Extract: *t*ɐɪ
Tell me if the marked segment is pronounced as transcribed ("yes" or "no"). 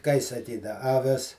no